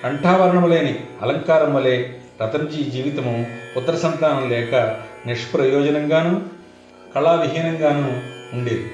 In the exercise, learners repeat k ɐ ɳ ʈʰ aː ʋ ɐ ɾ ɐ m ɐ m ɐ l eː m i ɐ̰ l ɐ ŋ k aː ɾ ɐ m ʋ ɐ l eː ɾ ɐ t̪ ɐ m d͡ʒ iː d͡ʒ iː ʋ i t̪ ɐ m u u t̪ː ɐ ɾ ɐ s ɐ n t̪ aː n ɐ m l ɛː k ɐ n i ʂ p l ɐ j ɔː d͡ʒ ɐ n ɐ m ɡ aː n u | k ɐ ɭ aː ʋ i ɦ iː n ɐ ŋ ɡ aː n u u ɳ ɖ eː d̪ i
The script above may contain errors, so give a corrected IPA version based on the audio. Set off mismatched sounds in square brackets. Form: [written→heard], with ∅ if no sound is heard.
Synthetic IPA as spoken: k ɐ ɳ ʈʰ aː ʋ ɐ ɾ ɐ [m→ɳ] ɐ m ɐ l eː [m→n] i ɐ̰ l ɐ ŋ k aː ɾ ɐ m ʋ ɐ l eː ɾ ɐ t̪ ɐ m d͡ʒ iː d͡ʒ iː ʋ i t̪ ɐ m u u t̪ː ɐ ɾ ɐ s ɐ n t̪ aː n ɐ m l ɛː k ɐ n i ʂ p [l→ɾ] ɐ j ɔː d͡ʒ ɐ n ɐ [m→ŋ] ɡ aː n u | k ɐ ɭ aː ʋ i ɦ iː n ɐ ŋ ɡ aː n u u ɳ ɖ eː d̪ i